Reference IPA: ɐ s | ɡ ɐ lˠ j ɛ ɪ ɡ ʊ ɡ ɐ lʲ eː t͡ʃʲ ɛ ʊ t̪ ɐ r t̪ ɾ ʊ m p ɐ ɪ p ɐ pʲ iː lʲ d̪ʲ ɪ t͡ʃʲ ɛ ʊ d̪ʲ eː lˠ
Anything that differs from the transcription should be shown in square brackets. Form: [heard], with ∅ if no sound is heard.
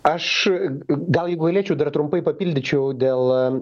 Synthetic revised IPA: ɐ [ʃ] | ɡ ɐ lˠ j ɛ ɪ ɡ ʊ ɡ ɐ lʲ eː t͡ʃʲ ɛ ʊ [d̪] ɐ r t̪ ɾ ʊ m p ɐ ɪ p ɐ pʲ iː lʲ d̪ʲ ɪ t͡ʃʲ ɛ ʊ d̪ʲ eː lˠ